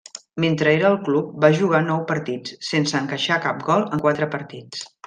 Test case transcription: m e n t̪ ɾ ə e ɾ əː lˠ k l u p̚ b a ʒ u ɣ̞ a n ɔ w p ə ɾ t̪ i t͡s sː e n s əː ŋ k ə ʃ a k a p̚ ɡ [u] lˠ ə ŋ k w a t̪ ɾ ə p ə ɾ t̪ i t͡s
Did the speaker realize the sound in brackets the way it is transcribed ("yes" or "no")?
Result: no